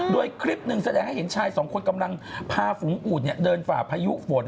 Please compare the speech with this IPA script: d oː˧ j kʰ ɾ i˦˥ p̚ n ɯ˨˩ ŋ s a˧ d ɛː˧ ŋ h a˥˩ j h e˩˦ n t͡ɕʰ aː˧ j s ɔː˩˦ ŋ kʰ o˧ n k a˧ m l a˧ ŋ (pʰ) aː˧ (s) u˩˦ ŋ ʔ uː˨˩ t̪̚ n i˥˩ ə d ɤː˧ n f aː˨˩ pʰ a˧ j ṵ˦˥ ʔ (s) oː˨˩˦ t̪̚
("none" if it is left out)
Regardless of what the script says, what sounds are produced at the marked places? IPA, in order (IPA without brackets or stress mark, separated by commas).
pʰ, f, f